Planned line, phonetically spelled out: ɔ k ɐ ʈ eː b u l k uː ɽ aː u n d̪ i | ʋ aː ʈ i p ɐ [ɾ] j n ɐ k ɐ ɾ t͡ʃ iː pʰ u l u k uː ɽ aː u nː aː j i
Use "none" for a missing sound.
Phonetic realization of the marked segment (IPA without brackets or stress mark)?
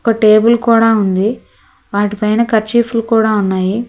none